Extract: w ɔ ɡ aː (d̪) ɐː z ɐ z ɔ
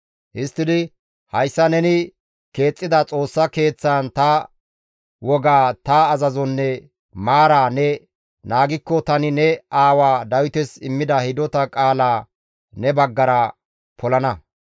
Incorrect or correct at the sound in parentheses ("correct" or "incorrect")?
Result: incorrect